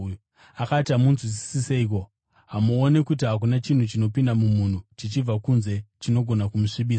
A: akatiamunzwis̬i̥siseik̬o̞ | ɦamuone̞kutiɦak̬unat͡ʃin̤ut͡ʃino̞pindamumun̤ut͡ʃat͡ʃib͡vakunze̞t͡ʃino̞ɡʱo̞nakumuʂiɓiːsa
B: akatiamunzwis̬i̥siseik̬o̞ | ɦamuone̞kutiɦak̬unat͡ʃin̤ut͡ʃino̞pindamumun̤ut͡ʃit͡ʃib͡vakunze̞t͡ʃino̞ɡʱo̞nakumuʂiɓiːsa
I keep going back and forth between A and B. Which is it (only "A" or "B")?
B